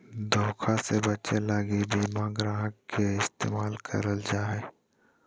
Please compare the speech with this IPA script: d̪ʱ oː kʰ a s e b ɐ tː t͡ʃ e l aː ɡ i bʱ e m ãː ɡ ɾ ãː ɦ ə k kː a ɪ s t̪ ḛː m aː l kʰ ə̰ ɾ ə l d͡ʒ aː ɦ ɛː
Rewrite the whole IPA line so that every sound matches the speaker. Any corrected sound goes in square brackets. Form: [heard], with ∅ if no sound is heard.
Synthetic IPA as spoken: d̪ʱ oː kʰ a s e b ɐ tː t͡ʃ e l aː ɡ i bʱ [i] m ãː ɡ ɾ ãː ɦ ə k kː [e] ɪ s t̪ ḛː m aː l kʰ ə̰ ɾ ə l d͡ʒ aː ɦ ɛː